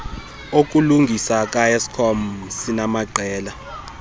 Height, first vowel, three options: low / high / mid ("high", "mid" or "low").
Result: mid